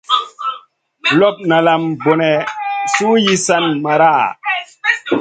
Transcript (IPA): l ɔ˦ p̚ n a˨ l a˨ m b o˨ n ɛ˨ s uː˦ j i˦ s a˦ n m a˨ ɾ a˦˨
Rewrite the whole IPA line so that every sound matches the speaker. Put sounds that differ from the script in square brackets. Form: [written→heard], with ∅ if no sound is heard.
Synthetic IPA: l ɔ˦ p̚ n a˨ l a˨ m b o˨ n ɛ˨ s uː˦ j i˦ s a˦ n m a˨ ɾ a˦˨